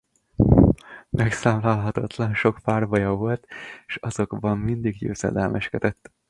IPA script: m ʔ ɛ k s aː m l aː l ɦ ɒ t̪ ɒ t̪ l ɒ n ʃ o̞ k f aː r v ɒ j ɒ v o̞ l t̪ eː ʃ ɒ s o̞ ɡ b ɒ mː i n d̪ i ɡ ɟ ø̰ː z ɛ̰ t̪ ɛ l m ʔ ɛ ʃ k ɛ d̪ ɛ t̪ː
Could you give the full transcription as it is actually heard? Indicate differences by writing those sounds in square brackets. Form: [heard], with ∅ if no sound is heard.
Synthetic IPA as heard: m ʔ ɛ k s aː m l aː l ɦ ɒ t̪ ɒ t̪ l ɒ n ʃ o̞ k f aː r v ɒ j ɒ v o̞ l t̪ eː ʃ ɒ [z] o̞ ɡ b ɒ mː i n d̪ i ɡ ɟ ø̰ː z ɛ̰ [d̪] ɛ l m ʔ ɛ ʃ k ɛ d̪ ɛ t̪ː